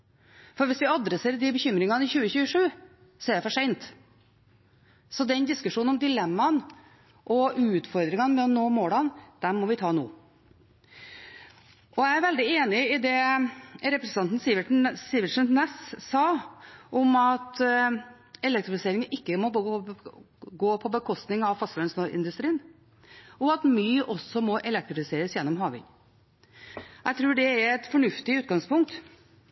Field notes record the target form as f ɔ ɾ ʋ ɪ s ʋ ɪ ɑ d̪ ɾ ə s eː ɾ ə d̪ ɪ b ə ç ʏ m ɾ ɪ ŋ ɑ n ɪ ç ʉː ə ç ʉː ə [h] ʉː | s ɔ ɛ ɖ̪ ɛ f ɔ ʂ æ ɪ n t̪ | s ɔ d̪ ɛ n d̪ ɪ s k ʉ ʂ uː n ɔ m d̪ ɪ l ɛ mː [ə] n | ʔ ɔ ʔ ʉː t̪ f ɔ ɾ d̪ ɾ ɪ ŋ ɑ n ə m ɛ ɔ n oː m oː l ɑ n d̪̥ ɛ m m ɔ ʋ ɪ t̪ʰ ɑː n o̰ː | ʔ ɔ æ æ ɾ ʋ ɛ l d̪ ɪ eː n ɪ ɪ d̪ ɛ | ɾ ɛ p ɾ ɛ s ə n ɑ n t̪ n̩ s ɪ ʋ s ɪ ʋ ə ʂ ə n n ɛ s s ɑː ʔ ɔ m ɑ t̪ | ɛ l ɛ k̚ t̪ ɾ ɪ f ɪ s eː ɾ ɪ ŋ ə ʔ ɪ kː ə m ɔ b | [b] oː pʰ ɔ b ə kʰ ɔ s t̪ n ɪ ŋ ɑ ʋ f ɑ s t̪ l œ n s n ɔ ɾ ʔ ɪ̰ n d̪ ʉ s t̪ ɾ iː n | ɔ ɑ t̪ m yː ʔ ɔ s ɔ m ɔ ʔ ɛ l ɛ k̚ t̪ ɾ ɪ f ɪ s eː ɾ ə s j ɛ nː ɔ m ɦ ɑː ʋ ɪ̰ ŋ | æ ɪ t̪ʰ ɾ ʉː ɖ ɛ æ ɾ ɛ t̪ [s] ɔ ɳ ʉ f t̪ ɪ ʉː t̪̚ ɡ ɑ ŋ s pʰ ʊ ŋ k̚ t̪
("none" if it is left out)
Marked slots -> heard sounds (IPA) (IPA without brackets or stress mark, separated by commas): ʂ, ɑ, ɡ, f